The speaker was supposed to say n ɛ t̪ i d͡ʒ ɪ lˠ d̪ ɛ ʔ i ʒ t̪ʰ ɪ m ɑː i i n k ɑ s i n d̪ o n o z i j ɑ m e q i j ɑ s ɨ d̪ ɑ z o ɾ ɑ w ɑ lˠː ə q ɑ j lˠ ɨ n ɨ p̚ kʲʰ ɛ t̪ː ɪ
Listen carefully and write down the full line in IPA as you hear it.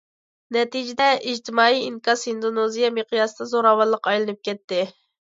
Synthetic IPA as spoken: n ɛ t̪ i d͡ʒ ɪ d̪ ɛ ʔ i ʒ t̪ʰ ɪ m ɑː i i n k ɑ s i n d̪ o n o z i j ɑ m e q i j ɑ s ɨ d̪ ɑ z o ɾ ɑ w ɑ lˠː ə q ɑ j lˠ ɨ n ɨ p̚ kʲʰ ɛ t̪ː ɪ